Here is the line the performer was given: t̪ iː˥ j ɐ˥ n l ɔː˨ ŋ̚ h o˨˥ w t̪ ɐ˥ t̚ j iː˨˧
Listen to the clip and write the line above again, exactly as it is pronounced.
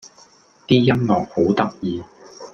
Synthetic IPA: t̪ iː˥ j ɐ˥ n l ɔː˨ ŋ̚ h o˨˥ w t̪ ɐ˥ k̚ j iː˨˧

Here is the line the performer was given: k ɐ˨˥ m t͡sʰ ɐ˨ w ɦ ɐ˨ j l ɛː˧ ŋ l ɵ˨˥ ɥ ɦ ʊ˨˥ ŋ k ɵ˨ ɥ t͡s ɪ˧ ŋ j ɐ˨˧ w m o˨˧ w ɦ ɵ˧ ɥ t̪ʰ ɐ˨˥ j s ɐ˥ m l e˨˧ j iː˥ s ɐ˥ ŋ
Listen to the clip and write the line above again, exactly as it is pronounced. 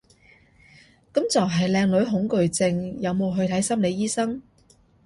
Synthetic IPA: k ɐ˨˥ m t͡s ɐ˨ w ɦ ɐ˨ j l ɛː˧ ŋ l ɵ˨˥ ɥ ɦ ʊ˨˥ ŋ k ɵ˨ ɥ t͡s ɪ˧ ŋ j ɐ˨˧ w m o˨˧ w ɦ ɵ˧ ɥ t̪ʰ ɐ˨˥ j s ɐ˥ m l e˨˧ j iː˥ s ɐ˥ ŋ

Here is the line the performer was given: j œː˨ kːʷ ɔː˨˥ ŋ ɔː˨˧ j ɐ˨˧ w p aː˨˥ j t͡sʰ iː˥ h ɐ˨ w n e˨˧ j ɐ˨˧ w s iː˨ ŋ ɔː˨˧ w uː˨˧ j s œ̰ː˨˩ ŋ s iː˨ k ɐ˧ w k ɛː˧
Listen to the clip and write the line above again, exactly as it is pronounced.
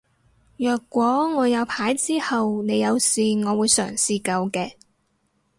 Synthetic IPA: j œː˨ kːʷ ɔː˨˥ ŋ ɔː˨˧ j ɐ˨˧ w pʰ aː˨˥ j t͡s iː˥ h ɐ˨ w n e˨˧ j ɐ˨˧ w s iː˨ ŋ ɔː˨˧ w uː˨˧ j s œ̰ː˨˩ ŋ s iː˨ k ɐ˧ w k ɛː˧

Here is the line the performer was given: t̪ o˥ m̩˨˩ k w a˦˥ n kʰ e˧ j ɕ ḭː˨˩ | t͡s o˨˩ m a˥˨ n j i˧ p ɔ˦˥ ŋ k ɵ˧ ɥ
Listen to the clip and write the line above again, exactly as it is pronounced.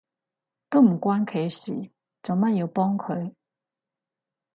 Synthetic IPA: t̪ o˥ m̩˨˩ k w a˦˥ n kʰ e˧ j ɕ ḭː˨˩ | t͡s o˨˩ m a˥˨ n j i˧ p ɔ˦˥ ŋ kʰ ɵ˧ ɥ

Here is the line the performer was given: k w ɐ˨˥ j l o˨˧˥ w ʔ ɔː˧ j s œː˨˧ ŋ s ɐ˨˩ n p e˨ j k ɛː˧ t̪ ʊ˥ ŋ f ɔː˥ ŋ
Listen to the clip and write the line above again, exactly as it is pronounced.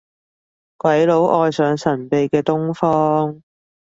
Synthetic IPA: k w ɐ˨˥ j l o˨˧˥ w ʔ ɔː˧ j s œː˨˧ ŋ s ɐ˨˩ n p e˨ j k ɛː˧ t̪ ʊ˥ ŋ f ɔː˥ ŋ

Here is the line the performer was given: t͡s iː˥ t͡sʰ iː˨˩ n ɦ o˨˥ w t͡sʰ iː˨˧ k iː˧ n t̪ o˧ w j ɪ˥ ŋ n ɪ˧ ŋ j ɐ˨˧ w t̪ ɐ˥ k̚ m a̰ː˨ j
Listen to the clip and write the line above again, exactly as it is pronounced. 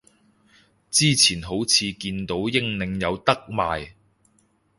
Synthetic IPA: t͡s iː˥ t͡sʰ iː˨˩ n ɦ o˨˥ w t͡sʰ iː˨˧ k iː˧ n t̪ o˨˥ w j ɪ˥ ŋ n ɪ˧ ŋ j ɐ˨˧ w t̪ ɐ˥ k̚ m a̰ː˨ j

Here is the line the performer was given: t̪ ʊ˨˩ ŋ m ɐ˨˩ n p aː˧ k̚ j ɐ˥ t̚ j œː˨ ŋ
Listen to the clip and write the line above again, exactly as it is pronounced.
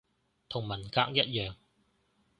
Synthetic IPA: t̪ʰ ʊ˨˩ ŋ m ɐ˨˩ n k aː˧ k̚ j ɐ˥ t̚ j œː˨ ŋ

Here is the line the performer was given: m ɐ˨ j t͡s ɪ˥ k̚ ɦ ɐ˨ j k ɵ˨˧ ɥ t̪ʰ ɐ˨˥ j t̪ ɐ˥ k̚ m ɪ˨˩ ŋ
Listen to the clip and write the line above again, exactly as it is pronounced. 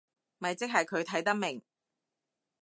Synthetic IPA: m ɐ˨ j t͡s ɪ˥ k̚ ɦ ɐ˨ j kʰ ɵ˨˧ ɥ t̪ʰ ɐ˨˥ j t̪ ɐ˥ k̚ m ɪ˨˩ ŋ

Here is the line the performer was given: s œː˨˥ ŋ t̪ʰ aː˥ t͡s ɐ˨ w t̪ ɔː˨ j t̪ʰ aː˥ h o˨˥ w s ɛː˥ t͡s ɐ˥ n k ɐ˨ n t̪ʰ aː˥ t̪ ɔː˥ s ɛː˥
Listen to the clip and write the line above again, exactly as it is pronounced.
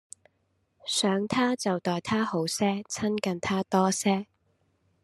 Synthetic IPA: s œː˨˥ ŋ t̪ʰ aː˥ t͡s ɐ˨ w t̪ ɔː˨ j t̪ʰ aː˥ h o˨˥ w s ɛː˥ t͡sʰ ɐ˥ n k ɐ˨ n t̪ʰ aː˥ t̪ ɔː˥ s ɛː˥

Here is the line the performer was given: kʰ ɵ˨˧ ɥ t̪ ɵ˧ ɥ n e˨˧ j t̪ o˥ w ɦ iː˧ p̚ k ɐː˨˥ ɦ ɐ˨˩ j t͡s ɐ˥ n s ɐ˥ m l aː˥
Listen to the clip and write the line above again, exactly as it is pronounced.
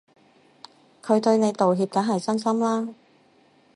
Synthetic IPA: kʰ ɵ˨˧ ɥ t̪ ɵ˧ ɥ n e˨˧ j t̪ o˨ w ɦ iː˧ p̚ k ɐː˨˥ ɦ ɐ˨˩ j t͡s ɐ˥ n s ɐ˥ m l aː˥

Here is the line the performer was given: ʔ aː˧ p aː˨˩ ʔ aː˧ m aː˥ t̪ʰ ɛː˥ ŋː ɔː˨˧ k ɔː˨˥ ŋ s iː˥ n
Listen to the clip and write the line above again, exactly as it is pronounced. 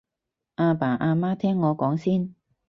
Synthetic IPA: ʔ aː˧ p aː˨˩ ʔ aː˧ m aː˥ t̪ʰ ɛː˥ ŋː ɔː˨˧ k ɔː˨˥ ŋ s iː˥ n

